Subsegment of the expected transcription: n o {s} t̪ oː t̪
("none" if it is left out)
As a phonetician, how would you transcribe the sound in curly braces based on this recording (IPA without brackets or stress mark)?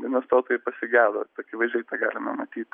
s